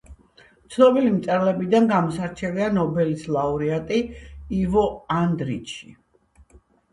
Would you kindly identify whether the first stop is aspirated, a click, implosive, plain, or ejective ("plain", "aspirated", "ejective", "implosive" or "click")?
plain